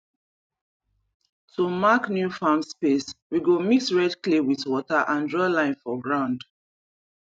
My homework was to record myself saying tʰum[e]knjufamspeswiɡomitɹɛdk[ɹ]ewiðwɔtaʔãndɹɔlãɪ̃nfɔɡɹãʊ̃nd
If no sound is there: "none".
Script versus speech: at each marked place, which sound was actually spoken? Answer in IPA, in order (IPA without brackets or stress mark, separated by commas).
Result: a, l